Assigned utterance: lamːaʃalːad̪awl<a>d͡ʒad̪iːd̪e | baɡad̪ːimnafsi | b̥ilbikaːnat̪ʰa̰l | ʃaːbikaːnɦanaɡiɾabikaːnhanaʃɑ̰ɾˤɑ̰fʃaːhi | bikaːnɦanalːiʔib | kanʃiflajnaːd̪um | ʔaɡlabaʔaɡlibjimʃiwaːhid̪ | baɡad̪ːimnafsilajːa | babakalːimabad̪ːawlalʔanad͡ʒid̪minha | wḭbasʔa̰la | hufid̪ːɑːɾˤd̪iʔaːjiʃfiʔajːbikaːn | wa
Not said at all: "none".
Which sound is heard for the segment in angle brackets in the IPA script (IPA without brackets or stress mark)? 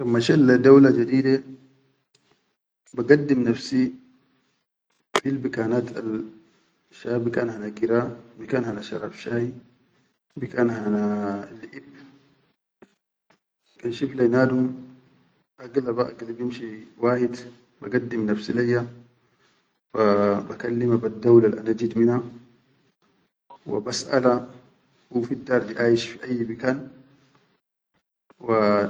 a